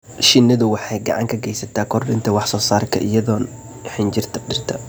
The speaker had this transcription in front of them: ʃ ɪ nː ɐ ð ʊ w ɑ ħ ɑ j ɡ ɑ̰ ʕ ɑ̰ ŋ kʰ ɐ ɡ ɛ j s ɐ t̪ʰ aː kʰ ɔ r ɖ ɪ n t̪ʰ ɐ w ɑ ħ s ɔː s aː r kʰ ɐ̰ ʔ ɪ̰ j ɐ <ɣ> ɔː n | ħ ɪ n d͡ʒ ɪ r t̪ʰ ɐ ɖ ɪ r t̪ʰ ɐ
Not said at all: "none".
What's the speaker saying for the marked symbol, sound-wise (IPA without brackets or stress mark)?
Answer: ð